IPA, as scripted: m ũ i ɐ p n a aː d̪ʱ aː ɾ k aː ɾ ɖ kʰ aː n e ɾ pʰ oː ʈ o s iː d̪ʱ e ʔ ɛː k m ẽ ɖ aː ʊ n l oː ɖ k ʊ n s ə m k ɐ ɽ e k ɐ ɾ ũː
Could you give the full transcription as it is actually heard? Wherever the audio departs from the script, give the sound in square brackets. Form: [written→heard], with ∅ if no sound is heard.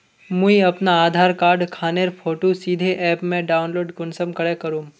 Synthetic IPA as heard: m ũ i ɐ p n a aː d̪ʱ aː ɾ k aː ɾ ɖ kʰ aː n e ɾ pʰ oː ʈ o s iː d̪ʱ e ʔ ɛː [k→p] m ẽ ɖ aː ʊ n l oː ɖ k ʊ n s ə m k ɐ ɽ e k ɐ ɾ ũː